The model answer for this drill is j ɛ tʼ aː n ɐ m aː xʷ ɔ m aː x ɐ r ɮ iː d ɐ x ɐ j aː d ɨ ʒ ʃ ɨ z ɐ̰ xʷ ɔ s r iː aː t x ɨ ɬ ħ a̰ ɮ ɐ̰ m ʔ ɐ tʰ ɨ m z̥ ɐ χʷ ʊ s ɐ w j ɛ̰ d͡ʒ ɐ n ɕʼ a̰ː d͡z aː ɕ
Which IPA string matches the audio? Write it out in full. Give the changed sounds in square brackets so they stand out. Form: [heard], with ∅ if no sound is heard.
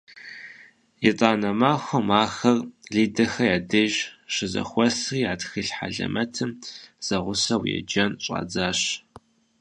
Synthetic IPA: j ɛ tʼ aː n ɐ m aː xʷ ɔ m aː x ɐ r ɮ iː d ɐ x ɐ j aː d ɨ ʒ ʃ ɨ z ɐ̰ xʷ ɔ s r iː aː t x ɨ ɬ ħ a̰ ɮ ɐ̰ m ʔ ɐ tʰ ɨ m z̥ ɐ [ʁʷ] ʊ s ɐ w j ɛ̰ d͡ʒ ɐ n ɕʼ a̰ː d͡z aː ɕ